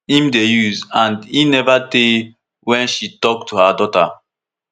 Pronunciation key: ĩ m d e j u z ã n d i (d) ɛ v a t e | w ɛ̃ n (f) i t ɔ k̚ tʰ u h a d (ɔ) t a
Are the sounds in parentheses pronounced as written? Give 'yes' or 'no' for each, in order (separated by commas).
no, no, yes